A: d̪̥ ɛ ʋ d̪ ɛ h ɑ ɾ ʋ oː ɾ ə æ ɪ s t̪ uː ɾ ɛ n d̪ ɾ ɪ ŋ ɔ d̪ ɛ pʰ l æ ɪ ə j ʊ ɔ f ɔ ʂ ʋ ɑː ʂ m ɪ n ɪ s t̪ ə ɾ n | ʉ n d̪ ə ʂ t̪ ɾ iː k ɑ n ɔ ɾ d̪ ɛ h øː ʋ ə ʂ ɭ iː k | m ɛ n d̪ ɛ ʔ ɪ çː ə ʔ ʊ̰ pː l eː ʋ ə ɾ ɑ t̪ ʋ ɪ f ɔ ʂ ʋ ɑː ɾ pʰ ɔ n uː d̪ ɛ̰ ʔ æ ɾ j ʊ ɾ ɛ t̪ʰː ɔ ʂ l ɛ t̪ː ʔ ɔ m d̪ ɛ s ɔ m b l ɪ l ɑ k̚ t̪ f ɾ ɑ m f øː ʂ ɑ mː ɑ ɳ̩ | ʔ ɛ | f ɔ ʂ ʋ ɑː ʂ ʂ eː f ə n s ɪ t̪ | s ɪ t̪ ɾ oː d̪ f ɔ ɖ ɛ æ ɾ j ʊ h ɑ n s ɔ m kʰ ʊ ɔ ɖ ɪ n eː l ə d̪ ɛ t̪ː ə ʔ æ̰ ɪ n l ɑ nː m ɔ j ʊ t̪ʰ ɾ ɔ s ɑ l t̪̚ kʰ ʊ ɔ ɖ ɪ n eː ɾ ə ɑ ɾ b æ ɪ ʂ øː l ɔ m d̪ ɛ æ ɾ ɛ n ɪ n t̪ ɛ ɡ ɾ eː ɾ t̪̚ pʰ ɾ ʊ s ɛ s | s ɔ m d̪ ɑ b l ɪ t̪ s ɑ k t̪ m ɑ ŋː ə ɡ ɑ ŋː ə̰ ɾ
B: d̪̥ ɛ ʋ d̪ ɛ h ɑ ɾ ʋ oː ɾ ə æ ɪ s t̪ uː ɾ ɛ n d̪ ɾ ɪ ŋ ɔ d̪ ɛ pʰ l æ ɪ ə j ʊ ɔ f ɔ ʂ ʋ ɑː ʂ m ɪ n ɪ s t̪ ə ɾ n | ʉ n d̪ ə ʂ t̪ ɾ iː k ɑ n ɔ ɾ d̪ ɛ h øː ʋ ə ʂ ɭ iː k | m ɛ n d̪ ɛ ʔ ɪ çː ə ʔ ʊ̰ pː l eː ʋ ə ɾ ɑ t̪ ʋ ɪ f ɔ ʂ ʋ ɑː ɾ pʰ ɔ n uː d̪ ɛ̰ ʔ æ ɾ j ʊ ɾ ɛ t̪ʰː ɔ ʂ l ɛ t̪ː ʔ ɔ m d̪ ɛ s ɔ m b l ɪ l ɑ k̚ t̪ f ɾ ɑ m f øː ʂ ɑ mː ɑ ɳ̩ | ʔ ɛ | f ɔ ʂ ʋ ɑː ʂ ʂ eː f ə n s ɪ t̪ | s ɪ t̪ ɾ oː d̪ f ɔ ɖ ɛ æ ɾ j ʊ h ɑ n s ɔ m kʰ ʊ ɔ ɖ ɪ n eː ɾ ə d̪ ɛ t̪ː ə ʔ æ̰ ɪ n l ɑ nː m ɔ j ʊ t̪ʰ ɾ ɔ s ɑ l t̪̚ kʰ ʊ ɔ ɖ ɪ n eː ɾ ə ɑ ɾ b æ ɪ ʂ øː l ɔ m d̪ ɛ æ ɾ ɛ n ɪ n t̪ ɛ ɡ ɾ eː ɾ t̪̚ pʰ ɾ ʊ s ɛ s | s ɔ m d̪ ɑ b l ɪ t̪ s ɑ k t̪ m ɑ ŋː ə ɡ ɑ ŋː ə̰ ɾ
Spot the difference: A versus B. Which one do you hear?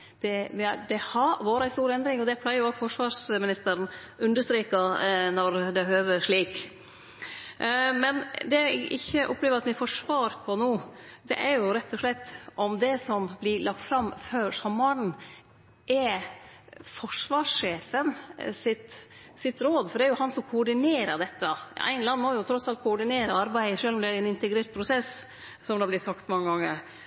B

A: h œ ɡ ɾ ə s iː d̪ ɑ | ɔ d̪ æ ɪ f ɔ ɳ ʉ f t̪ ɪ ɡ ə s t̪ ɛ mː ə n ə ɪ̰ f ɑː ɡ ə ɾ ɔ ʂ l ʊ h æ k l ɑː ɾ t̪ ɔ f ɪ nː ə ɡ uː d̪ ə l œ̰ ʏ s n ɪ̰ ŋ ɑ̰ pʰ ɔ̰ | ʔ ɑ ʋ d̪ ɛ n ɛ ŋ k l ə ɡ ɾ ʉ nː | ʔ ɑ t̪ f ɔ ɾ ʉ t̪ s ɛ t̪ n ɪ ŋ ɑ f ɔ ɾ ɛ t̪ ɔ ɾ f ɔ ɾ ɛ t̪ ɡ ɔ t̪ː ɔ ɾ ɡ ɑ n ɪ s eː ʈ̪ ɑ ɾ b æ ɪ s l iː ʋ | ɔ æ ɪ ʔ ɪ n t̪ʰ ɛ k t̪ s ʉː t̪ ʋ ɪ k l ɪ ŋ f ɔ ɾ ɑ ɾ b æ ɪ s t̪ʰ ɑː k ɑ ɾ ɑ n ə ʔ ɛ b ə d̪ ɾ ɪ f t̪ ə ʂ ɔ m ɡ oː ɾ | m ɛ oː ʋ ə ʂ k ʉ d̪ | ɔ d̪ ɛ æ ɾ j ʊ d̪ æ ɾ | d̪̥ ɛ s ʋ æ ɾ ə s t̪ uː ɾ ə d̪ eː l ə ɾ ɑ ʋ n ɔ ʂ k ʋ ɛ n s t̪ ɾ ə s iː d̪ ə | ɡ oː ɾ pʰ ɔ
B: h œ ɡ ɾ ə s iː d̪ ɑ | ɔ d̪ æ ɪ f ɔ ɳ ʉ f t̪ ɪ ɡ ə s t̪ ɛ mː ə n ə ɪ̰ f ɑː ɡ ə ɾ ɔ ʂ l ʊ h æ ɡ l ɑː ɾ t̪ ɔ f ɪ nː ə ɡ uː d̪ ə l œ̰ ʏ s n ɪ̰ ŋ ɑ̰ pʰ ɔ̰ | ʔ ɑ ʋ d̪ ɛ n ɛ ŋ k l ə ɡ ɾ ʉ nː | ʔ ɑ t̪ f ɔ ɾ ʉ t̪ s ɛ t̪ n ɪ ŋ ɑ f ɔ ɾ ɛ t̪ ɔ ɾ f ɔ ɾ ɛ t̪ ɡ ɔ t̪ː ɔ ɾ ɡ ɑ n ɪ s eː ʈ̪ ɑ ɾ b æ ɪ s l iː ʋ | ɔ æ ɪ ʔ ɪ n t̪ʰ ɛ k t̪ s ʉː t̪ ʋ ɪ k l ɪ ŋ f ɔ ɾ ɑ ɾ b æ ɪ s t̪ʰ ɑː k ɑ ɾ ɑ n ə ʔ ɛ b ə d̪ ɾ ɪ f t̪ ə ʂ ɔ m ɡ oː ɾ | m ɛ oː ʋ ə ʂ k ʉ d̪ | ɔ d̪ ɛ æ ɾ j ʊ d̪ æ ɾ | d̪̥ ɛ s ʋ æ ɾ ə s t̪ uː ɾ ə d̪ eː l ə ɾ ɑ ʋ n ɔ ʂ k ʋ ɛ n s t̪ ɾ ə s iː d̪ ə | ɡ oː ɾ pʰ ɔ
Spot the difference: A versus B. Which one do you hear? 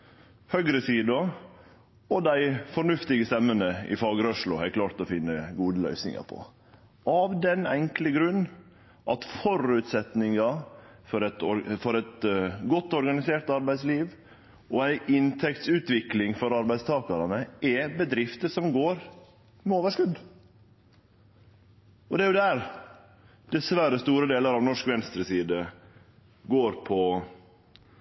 A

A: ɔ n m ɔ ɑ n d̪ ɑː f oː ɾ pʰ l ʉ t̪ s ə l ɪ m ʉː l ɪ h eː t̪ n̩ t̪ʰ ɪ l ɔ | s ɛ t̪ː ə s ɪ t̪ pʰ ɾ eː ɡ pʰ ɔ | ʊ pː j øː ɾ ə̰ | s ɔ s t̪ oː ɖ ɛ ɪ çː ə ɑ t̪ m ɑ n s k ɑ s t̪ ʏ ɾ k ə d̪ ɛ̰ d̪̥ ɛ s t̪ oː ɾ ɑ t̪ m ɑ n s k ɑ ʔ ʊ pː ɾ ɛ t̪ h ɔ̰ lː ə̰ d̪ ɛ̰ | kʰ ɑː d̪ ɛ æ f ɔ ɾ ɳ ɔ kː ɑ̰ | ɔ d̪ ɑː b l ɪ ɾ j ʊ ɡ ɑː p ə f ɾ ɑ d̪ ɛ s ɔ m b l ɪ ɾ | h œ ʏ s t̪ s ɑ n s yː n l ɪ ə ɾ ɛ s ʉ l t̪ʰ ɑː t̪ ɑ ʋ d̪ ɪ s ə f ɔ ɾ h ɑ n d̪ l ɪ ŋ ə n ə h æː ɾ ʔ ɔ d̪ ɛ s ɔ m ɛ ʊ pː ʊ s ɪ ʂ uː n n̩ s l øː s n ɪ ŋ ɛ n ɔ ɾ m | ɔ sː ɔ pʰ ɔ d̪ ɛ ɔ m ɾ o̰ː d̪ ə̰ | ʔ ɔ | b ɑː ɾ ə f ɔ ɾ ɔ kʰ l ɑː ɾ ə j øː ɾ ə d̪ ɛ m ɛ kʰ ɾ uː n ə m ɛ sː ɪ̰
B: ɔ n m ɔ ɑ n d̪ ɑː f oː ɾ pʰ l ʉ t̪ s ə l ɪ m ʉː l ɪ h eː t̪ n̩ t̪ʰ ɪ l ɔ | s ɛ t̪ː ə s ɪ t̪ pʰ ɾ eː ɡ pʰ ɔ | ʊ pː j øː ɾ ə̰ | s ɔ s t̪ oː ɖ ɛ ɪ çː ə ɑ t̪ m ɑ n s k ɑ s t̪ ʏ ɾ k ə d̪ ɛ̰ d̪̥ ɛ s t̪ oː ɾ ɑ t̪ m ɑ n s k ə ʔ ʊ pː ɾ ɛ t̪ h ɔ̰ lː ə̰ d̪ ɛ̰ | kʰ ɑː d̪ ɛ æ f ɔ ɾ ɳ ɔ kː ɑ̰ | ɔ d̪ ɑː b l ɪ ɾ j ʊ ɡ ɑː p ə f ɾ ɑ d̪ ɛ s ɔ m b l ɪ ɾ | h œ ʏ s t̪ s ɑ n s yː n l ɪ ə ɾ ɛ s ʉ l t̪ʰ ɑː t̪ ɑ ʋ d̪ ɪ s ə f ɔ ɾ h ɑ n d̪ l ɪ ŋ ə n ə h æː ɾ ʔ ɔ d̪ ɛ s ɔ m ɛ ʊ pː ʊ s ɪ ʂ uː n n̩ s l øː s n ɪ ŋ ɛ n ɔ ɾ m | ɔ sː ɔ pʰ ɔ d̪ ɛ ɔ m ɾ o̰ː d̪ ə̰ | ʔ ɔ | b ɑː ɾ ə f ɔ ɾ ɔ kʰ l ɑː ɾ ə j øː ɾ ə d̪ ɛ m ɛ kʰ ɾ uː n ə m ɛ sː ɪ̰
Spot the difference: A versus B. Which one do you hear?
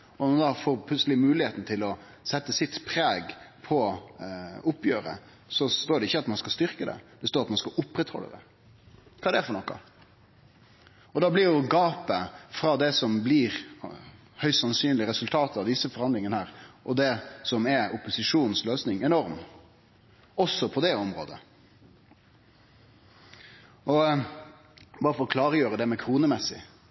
A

